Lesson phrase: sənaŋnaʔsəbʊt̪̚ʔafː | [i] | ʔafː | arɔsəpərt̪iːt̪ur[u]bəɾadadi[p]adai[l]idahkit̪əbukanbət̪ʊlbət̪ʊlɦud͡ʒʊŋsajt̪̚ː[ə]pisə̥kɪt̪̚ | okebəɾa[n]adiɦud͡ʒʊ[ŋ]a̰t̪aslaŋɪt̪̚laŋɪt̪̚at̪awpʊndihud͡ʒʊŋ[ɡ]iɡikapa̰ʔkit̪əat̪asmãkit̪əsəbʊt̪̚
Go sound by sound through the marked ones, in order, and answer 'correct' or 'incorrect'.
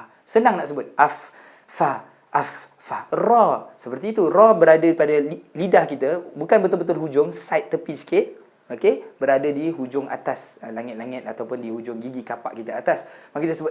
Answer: incorrect: a, incorrect: ɔ, correct, correct, correct, incorrect: d, correct, correct

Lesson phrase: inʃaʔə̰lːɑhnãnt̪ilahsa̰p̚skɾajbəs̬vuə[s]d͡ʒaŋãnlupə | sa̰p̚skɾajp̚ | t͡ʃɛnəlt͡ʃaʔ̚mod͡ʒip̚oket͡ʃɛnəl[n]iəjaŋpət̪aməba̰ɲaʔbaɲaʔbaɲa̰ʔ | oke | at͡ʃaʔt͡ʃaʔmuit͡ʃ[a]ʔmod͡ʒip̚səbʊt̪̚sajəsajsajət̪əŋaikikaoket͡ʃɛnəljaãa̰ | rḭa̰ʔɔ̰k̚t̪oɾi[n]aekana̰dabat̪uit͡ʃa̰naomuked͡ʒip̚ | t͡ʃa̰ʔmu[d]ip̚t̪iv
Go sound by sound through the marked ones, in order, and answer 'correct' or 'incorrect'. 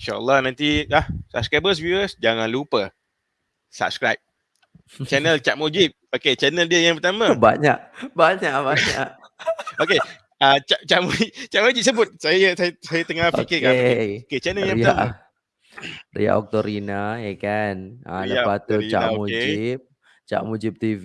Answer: correct, incorrect: d, correct, correct, incorrect: d͡ʒ

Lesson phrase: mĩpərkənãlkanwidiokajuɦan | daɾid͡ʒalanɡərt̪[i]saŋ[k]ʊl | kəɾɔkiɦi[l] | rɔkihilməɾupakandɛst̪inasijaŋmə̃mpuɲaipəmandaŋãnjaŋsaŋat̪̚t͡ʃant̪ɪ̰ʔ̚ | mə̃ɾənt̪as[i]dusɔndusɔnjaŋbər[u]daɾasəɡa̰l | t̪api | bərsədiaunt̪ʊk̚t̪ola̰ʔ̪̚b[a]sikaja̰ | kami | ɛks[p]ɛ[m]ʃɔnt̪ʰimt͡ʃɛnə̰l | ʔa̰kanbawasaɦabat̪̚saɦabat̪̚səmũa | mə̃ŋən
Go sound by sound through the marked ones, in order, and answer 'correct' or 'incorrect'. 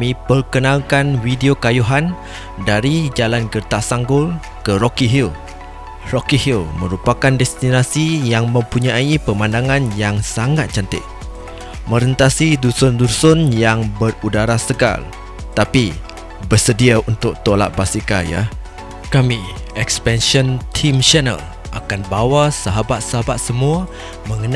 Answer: incorrect: a, incorrect: ɡ, correct, correct, correct, correct, correct, incorrect: n

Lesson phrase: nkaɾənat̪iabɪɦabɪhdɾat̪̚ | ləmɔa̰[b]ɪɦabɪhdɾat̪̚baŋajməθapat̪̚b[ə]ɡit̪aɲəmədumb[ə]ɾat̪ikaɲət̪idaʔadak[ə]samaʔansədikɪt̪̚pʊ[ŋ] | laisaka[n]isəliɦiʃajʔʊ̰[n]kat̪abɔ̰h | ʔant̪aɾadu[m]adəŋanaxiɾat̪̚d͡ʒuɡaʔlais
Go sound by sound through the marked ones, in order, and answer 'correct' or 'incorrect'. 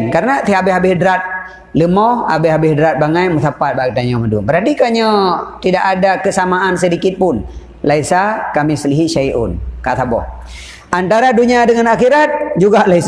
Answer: correct, incorrect: a, correct, correct, incorrect: n, incorrect: m, correct, incorrect: ɲ

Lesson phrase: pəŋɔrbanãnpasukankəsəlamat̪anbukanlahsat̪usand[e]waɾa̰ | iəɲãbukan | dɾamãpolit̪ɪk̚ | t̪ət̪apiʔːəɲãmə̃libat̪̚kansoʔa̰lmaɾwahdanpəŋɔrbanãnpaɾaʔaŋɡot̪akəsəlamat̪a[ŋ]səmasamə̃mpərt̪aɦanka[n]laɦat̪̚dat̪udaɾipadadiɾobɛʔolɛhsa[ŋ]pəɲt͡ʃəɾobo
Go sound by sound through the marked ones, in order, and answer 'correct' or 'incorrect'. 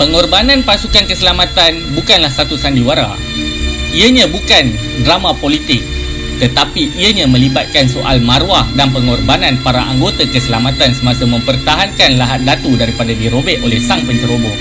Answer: incorrect: i, incorrect: n, correct, correct

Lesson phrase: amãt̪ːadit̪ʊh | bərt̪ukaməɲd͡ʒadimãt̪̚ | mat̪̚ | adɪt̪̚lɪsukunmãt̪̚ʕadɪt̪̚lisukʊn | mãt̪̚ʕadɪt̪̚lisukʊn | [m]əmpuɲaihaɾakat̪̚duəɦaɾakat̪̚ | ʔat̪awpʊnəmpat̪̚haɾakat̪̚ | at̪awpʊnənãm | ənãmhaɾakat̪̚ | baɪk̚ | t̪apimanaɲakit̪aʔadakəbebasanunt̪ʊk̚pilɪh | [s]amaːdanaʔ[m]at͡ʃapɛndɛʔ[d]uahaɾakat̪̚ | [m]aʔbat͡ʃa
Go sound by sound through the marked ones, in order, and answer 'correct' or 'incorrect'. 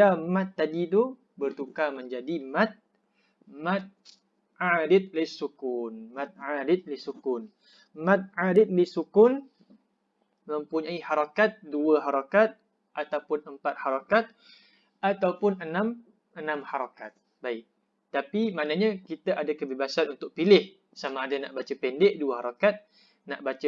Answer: correct, correct, incorrect: b, correct, incorrect: n

